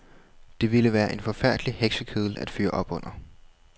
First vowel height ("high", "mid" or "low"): mid